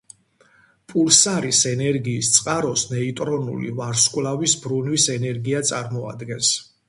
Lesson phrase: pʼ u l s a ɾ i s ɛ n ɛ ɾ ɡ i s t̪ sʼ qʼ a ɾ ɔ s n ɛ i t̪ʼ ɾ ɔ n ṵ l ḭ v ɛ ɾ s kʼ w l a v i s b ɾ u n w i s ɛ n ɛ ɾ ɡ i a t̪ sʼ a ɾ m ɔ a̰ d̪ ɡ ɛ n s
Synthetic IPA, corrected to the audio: pʼ u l s a ɾ i s ɛ n ɛ ɾ ɡ iː s t̪ sʼ qʼ a ɾ ɔ s n ɛ i t̪ʼ ɾ ɔ n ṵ l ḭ v a ɾ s kʼ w l a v i s b ɾ u n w i s ɛ n ɛ ɾ ɡ i a t̪ sʼ a ɾ m ɔ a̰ d̪ ɡ ɛ n s